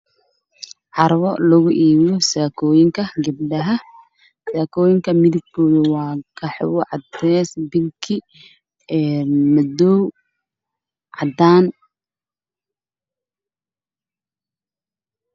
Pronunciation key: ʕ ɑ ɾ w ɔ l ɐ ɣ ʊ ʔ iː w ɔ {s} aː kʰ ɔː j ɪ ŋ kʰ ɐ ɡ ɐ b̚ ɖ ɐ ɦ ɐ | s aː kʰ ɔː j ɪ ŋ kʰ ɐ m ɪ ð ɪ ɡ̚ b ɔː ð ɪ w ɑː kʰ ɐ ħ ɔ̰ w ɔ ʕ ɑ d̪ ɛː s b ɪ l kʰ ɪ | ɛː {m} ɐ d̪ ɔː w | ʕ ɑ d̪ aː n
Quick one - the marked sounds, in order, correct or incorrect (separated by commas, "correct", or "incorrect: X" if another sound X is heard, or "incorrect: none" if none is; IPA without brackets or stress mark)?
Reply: correct, correct